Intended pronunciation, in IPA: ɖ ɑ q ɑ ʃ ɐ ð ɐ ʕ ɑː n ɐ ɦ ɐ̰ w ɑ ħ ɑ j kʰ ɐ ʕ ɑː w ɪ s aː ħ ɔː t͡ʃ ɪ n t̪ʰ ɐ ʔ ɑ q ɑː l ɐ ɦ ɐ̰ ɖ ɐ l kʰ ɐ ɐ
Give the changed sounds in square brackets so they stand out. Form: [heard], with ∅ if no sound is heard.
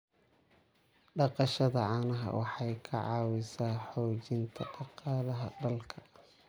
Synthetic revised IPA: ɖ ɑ q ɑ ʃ ɐ ð ɐ ʕ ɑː n ɐ ɦ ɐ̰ w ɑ ħ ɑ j kʰ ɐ ʕ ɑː w ɪ s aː ħ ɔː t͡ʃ ɪ n t̪ʰ ɐ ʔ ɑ q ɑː l ɐ ɦ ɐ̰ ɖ ɐ l kʰ ɐ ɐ